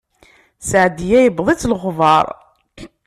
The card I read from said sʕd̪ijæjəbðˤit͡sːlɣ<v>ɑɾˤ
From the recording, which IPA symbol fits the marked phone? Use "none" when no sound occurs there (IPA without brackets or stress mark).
v